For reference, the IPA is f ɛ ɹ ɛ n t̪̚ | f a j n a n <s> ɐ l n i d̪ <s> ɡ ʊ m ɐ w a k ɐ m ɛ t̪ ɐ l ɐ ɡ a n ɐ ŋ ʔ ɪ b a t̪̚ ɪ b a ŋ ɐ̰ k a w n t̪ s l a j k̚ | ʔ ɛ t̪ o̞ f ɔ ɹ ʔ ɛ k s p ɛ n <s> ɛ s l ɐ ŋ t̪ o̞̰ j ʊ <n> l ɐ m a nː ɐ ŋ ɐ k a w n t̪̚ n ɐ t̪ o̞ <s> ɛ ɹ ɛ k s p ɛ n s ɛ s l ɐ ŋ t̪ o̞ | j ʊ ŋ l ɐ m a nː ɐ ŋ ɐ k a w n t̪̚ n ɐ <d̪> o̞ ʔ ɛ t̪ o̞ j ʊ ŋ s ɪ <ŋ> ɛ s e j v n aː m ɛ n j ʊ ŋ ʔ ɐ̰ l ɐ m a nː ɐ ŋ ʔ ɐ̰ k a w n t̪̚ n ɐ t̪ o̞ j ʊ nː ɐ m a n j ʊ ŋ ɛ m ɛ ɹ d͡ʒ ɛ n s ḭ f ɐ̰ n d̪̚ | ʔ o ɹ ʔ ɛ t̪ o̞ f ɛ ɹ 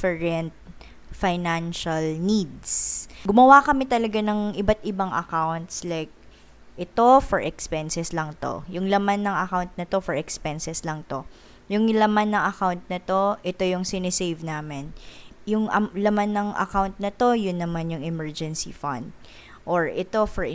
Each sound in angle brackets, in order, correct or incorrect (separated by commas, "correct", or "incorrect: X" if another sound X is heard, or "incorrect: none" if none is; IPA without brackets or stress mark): incorrect: ʃ, correct, correct, incorrect: ŋ, incorrect: f, incorrect: t̪, incorrect: n